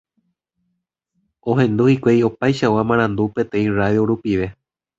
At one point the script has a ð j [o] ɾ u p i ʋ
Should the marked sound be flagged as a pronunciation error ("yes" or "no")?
no